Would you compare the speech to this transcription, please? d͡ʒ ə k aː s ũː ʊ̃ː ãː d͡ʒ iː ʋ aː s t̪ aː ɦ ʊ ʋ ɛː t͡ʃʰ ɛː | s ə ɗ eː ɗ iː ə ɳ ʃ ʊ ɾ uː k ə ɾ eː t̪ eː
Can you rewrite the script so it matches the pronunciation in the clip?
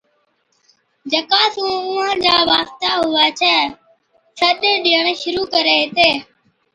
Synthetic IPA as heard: d͡ʒ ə k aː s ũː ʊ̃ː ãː d͡ʒ aː ʋ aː s t̪ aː ɦ ʊ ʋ aː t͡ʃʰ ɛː | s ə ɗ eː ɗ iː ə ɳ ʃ ʊ ɾ uː k ə ɾ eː t̪ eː